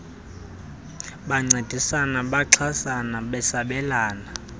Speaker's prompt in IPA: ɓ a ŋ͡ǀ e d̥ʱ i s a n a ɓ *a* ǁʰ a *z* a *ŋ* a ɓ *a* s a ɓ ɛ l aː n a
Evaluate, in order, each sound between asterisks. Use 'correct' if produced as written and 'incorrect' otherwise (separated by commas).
correct, incorrect, incorrect, incorrect